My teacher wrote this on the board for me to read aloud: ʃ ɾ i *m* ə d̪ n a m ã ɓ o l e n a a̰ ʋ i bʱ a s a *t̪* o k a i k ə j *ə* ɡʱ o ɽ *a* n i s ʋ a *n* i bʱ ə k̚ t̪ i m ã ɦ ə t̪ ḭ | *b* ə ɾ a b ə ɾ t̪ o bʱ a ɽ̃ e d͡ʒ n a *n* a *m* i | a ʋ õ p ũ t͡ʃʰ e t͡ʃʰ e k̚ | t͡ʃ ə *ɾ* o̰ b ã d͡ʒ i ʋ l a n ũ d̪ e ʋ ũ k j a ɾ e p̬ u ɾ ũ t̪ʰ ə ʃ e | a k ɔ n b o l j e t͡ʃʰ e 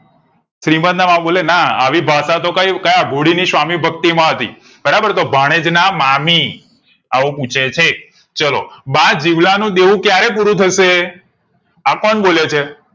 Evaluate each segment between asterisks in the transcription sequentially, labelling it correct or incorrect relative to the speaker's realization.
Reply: correct, correct, incorrect, incorrect, incorrect, correct, incorrect, correct, incorrect

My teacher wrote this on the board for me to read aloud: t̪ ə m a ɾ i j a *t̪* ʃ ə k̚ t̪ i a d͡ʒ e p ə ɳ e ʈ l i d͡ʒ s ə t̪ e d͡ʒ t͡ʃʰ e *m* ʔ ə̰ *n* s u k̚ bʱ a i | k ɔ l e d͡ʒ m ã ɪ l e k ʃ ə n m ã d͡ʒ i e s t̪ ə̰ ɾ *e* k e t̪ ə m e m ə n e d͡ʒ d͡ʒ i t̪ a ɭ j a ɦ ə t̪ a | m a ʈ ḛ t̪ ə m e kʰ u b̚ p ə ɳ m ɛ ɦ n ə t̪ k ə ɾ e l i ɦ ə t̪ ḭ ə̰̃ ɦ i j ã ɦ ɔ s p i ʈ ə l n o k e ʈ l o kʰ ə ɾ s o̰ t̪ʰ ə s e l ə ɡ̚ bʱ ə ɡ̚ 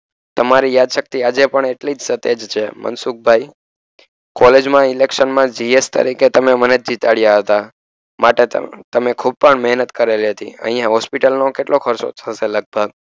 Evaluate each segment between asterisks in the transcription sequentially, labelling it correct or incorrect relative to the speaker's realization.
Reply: incorrect, correct, correct, incorrect

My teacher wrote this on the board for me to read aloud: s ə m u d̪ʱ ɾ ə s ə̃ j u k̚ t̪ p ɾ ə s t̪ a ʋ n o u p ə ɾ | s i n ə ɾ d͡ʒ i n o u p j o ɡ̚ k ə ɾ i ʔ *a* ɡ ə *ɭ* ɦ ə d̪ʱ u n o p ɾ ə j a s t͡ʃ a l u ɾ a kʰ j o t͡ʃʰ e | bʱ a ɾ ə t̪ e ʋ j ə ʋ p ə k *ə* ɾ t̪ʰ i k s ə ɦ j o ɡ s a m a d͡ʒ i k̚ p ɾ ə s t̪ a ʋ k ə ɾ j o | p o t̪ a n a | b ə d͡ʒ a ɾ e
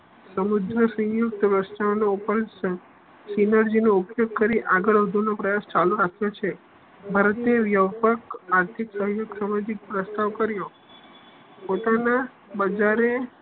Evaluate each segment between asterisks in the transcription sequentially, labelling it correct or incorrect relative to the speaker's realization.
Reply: correct, correct, incorrect

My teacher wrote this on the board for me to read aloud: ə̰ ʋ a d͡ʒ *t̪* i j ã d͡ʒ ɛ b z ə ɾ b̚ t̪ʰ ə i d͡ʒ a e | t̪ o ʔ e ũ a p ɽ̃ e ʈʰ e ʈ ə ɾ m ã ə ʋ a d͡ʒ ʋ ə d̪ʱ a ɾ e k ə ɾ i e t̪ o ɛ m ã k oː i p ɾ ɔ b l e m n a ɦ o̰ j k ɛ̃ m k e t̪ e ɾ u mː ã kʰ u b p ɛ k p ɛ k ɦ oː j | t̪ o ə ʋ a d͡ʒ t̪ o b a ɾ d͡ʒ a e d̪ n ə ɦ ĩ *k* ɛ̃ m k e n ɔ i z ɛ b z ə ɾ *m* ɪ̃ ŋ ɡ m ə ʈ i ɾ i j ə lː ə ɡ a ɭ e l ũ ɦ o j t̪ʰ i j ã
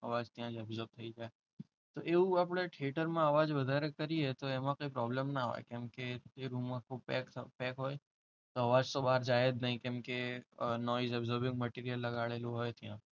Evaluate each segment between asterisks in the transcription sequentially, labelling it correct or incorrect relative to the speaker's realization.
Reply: correct, correct, incorrect

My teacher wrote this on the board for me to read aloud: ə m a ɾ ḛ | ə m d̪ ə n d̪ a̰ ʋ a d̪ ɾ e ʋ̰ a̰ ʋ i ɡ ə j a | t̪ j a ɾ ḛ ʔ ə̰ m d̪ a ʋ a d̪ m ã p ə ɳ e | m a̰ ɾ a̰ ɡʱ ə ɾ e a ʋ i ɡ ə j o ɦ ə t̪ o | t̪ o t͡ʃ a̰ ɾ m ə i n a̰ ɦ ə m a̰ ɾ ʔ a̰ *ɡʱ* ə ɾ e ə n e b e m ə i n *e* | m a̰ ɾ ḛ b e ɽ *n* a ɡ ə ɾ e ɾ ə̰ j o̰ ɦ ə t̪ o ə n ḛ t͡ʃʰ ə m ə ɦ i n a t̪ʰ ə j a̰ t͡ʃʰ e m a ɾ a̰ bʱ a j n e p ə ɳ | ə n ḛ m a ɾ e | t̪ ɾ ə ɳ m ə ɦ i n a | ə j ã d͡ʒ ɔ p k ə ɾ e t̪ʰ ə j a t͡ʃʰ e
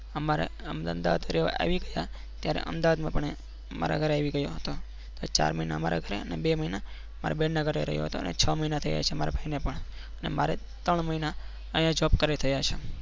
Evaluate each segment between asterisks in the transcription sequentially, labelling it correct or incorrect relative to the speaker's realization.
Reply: correct, incorrect, correct

